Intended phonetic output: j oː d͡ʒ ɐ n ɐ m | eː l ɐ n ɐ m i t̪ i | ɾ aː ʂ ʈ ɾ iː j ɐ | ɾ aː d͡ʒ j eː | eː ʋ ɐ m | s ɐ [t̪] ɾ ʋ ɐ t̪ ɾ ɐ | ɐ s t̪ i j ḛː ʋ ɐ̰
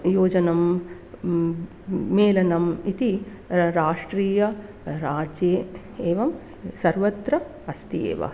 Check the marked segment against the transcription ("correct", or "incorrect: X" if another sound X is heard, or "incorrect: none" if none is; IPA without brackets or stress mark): incorrect: none